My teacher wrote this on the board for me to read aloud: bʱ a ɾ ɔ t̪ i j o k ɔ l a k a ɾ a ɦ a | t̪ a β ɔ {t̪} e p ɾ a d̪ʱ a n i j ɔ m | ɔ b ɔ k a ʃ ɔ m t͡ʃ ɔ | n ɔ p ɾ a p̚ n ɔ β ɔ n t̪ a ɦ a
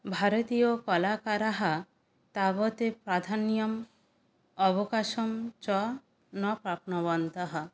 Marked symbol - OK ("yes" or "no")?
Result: yes